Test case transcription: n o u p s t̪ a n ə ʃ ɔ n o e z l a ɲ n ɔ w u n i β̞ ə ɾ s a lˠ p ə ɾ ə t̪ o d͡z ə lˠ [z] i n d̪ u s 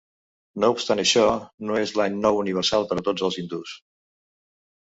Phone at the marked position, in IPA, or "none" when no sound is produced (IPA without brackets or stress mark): z